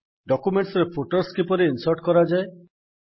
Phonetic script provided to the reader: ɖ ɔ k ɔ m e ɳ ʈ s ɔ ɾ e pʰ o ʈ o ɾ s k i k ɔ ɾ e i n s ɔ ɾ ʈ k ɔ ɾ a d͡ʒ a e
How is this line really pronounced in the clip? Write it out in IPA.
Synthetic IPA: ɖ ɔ k u m e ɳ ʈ s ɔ ɾ e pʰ o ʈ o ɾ s k i p ɔ ɾ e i n s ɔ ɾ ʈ k ɔ ɾ a d͡ʒ a e